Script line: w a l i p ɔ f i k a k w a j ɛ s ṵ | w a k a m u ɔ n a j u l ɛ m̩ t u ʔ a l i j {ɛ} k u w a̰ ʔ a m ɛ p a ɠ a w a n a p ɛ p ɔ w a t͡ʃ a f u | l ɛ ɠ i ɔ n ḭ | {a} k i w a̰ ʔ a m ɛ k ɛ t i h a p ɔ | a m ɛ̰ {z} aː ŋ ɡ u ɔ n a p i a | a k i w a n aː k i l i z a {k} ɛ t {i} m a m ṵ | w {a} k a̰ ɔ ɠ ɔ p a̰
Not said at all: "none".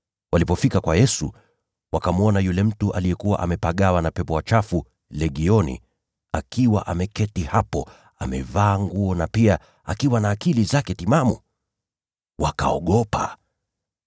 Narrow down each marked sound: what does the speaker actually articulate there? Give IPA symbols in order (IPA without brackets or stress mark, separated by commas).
ɛ, a, v, k, i, a